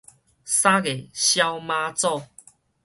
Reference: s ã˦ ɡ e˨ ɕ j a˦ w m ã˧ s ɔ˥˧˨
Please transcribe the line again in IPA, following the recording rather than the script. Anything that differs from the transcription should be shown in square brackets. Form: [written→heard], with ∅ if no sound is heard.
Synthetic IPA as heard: s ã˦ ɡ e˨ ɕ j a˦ w m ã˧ [s→t͡s] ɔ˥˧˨